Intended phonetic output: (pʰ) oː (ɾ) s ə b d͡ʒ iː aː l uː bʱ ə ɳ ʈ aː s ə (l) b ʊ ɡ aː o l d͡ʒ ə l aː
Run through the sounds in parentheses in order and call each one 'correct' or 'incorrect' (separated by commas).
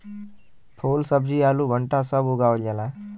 correct, incorrect, incorrect